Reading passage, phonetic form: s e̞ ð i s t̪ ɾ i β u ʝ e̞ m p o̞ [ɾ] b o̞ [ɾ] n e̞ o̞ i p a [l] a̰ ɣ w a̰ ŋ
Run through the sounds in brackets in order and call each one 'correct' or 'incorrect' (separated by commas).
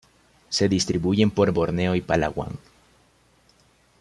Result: correct, correct, correct